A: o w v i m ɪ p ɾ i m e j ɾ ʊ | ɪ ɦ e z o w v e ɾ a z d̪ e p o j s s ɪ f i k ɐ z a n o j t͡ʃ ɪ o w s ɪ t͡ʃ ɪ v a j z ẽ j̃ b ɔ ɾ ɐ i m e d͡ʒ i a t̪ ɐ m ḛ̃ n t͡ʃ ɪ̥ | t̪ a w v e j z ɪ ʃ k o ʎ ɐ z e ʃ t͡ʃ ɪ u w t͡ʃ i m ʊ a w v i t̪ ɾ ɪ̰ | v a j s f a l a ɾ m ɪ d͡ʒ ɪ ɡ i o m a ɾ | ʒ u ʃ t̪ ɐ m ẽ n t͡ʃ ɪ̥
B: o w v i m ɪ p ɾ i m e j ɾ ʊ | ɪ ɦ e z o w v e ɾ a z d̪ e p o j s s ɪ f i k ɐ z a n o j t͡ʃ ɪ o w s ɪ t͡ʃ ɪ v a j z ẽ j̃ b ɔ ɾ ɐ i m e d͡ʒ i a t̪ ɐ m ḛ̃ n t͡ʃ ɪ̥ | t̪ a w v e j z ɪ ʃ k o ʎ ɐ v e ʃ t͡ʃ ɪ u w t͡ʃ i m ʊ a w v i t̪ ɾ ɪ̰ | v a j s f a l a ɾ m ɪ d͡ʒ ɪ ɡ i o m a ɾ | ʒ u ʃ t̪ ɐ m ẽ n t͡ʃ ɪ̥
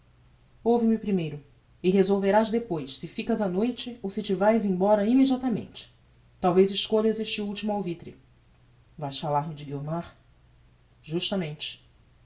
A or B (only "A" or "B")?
A